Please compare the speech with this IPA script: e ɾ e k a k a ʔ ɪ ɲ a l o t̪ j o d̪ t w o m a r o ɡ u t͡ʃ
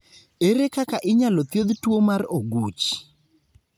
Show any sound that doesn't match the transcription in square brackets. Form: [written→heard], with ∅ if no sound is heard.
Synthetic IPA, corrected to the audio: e ɾ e k a k a ʔ ɪ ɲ a l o t̪ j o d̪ t w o m a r o ɡ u t͡ʃ